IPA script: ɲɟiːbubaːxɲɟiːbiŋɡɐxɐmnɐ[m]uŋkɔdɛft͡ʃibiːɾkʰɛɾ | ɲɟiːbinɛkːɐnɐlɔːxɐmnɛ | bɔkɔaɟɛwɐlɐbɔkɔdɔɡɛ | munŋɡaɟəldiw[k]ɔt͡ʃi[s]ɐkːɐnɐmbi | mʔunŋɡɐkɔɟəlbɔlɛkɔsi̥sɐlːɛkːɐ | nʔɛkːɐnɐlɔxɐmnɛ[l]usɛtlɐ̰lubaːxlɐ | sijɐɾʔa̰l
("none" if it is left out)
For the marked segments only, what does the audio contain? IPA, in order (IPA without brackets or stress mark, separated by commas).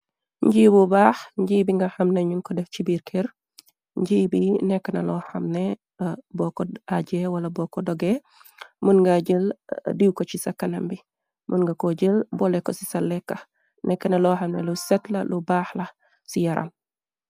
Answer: ɲ, k, s, l